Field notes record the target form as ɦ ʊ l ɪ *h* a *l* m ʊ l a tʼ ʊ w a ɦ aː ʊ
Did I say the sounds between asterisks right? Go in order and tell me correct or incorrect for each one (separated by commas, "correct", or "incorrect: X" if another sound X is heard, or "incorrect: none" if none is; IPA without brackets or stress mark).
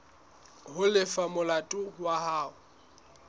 incorrect: f, incorrect: none